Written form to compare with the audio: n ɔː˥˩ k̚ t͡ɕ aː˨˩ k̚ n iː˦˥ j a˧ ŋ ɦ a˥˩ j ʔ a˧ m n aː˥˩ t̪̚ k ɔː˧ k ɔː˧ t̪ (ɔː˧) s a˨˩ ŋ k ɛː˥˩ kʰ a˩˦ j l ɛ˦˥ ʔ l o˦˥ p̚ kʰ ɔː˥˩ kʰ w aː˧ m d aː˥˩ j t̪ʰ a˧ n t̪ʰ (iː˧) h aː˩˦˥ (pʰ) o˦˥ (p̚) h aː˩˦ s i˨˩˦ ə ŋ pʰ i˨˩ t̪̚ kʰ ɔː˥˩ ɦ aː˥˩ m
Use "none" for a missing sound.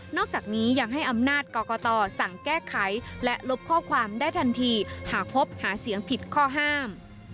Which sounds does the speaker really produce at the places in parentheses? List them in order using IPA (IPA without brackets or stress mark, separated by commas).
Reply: ɔː˧, iː˧, pʰ, p̚